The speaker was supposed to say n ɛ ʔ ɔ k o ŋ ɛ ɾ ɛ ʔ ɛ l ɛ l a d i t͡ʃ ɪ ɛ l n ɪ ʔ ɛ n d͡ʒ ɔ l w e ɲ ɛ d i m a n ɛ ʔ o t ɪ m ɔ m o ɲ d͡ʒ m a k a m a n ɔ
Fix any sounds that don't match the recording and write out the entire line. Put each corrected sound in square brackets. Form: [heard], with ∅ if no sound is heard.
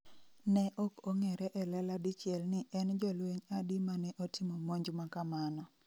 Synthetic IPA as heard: n ɛ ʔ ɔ k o ŋ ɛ ɾ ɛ ʔ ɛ l ɛ l a d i t͡ʃ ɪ ɛ l n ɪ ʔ ɛ n d͡ʒ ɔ l w e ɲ [a] d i m a n ɛ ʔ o t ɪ m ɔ m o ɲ d͡ʒ m a k a m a n ɔ

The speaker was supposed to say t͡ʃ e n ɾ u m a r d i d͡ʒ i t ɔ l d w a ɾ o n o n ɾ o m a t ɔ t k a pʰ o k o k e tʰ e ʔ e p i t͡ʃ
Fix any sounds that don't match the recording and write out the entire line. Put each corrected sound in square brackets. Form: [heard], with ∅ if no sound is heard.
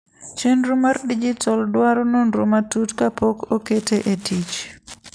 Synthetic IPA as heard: t͡ʃ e n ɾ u m a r d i d͡ʒ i t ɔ l d w a ɾ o n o n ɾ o m a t [u] t k a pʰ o k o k e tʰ e ʔ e [t] i t͡ʃ

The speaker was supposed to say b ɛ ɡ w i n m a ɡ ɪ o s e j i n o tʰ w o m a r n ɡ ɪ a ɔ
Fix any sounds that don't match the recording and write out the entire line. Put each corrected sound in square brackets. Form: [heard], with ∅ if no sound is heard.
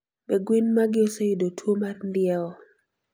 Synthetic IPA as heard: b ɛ ɡ w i n m a ɡ ɪ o s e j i [d] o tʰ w o m a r n [d] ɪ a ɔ

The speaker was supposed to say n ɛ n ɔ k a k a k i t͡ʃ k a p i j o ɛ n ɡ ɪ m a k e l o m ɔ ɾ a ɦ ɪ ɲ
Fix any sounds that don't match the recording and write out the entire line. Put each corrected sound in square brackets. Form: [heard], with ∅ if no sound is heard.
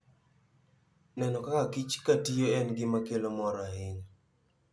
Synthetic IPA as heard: n ɛ n ɔ k a k a k i t͡ʃ k a [t] i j o ɛ n ɡ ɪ m a k e l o m ɔ ɾ a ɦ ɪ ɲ

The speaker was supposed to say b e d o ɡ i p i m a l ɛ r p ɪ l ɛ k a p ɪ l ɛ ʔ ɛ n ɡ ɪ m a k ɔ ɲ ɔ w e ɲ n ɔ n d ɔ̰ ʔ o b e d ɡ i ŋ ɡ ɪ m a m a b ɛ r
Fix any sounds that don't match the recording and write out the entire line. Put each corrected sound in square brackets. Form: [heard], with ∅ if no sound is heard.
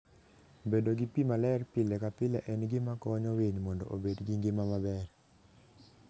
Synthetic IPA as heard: b e d o ɡ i p i m a l ɛ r p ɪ l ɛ k a p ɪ l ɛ ʔ ɛ n ɡ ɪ m a k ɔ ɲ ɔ w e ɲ [m] ɔ n d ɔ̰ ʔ o b e d ɡ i ŋ ɡ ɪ m a m a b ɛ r

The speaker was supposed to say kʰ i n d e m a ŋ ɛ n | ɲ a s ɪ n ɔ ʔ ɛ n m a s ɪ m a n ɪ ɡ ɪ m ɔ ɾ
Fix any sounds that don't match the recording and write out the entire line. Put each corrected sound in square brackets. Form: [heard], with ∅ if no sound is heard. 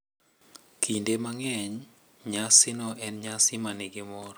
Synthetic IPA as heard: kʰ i n d e m a ŋ ɛ [ɲ] | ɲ a s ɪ n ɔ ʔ ɛ n [ɲ] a s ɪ m a n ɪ ɡ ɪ m ɔ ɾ

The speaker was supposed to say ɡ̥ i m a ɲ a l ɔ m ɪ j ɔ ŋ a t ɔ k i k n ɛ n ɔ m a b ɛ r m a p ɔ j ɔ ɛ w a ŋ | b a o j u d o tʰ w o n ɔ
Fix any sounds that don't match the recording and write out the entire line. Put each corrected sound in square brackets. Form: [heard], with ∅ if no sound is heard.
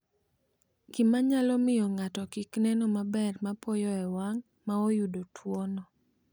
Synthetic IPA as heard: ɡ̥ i m a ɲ a l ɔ m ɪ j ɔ ŋ a t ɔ k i k n ɛ n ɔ m a b ɛ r m a p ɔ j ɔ ɛ w a ŋ | [m] a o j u d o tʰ w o n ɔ

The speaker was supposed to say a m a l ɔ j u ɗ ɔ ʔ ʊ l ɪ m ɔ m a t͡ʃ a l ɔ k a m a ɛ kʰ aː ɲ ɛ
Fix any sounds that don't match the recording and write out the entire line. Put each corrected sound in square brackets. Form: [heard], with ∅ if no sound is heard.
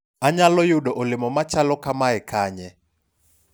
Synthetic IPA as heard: a [ɲ] a l ɔ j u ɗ ɔ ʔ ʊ l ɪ m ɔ m a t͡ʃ a l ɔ k a m a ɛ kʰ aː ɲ ɛ

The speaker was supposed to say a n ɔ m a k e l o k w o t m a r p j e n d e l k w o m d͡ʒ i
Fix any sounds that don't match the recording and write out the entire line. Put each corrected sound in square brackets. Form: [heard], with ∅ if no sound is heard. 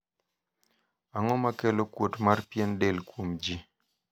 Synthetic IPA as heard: a [ŋ] ɔ m a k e l o k w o t m a r p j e n d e l k w o m d͡ʒ i

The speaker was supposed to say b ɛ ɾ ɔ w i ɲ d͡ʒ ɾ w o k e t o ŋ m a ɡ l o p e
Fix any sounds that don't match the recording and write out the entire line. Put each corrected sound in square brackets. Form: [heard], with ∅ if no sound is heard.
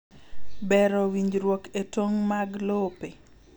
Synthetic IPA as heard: b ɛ ɾ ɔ w i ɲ d͡ʒ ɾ w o k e t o ŋ m a ɡ l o p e

